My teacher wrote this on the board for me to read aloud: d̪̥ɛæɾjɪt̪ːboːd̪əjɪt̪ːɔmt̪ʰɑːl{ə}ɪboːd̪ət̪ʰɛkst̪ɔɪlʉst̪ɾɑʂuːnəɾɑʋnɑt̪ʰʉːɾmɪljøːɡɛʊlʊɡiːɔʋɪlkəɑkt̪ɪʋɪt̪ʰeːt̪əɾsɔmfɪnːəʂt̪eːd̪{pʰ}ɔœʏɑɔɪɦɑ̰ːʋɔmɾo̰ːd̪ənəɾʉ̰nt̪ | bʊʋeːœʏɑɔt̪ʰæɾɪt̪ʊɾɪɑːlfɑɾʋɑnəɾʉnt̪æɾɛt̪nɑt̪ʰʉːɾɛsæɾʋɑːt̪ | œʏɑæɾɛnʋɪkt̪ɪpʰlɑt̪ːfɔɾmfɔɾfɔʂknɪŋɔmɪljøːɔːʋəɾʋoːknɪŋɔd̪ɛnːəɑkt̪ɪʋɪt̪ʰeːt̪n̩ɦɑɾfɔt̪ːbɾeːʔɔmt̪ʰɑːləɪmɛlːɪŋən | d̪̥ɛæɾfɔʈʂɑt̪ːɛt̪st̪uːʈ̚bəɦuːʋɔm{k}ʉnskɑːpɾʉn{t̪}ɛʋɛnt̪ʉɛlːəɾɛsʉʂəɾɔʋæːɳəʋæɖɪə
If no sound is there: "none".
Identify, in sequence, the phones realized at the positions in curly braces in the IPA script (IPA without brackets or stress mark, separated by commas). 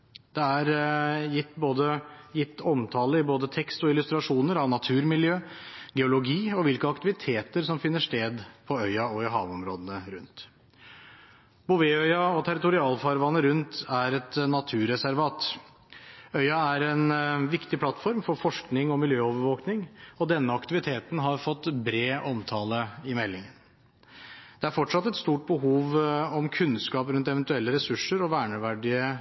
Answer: ə, pʰ, kʰ, t̪